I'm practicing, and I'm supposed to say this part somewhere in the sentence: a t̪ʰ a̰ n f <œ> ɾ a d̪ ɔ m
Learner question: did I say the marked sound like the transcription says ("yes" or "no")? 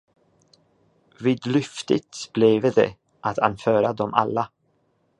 no